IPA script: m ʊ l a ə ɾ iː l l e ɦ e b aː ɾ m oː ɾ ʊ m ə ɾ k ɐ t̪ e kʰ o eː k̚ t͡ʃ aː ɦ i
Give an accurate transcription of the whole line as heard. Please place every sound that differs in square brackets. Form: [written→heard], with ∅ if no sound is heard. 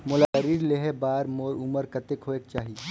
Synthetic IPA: m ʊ l a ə ɾ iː [l→ɾ] l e ɦ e b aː ɾ m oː ɾ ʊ m ə ɾ k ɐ t̪ e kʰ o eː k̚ t͡ʃ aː ɦ i

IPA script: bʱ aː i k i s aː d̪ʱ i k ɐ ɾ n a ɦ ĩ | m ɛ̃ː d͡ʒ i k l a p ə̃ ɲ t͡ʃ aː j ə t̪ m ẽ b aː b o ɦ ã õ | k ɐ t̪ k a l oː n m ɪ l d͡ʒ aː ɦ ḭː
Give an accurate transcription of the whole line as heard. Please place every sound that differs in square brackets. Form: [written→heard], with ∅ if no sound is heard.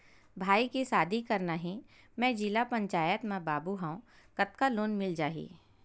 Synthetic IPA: bʱ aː i k i s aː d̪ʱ i k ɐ ɾ n a ɦ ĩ | m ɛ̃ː d͡ʒ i [k→∅] l a p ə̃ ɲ t͡ʃ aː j ə t̪ m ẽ b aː b [o→u] ɦ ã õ | k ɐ t̪ k a l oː n m ɪ l d͡ʒ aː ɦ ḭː

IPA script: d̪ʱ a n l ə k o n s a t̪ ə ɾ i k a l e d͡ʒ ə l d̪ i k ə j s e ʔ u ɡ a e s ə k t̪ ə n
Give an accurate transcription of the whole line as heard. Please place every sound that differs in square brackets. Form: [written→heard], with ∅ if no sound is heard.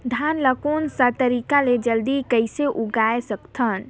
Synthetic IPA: d̪ʱ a n l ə k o n s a t̪ ə ɾ i k a l e d͡ʒ ə l d̪ i k ə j s e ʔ u ɡ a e s ə k [t̪→t̪ʰ] ə n

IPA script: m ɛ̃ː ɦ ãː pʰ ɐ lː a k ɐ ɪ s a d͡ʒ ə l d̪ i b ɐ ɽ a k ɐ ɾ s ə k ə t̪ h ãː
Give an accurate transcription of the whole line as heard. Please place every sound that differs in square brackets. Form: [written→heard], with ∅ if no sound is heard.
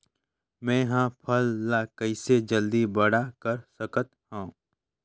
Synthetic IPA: m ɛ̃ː ɦ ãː pʰ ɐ lː a k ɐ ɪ s [a→e] d͡ʒ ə l d̪ i b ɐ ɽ a k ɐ ɾ s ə k ə t̪ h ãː

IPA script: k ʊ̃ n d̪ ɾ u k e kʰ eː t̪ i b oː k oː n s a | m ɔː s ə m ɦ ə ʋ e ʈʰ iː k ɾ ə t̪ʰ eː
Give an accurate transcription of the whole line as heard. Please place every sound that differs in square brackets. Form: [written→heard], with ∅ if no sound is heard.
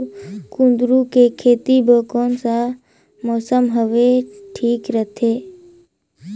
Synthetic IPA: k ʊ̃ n d̪ ɾ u k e kʰ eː t̪ i b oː k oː n s a | m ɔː s ə m ɦ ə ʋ e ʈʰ iː k ɾ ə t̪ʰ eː

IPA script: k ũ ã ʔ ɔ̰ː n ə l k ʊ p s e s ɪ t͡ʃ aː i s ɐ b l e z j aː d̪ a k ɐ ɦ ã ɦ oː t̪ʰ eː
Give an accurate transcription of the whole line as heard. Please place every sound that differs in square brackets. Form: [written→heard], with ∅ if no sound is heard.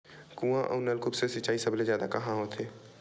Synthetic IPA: k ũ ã ʔ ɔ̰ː n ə l k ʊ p s e s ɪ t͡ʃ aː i s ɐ b l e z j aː d̪ a k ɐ ɦ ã ɦ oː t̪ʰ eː

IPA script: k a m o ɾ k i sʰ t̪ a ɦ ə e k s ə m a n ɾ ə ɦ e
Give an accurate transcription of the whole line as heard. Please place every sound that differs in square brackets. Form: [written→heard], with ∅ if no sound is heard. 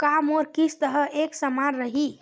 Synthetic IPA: k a m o ɾ k i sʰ t̪ [a→ə] ɦ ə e k s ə m a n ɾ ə ɦ [e→i]

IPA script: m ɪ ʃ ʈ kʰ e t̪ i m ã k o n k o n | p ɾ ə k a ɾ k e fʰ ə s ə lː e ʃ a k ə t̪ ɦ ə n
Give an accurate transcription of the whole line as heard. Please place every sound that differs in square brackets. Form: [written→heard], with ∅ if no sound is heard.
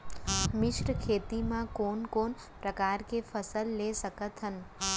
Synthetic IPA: m ɪ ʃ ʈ kʰ e t̪ i m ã k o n k o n | p ɾ ə k a ɾ k e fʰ ə s ə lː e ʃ [a→ə] k ə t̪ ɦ ə n

